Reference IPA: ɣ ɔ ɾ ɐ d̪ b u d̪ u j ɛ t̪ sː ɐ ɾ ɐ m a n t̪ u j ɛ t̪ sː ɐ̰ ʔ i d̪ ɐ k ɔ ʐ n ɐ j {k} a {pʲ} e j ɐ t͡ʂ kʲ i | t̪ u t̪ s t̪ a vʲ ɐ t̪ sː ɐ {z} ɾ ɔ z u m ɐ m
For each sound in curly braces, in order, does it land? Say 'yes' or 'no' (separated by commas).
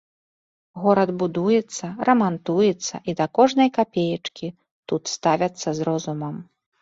yes, yes, yes